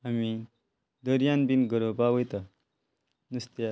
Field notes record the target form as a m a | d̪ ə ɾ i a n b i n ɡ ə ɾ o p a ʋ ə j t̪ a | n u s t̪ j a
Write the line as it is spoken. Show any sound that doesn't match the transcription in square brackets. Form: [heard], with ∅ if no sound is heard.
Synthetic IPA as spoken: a m [i] | d̪ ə ɾ [j] a n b i n ɡ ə ɾ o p a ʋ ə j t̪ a | n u s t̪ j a